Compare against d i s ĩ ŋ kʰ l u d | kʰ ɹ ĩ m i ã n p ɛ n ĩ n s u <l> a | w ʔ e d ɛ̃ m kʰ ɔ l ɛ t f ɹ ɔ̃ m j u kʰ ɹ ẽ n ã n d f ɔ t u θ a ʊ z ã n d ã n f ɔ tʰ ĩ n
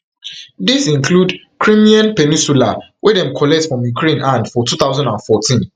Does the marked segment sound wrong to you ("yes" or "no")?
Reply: no